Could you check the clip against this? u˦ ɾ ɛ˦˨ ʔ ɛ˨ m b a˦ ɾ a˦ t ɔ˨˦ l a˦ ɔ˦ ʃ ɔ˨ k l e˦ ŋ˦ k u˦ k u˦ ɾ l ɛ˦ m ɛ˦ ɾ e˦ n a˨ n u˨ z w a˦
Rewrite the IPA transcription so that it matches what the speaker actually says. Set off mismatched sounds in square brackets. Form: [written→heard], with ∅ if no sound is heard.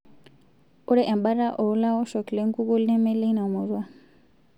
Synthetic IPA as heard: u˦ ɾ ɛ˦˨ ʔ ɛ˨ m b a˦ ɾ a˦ [t→ʔ] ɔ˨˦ l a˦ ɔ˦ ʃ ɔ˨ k l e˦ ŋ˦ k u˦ k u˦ [ɾ→∅] l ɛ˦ m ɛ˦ [ɾ→l] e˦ n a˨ [n→m] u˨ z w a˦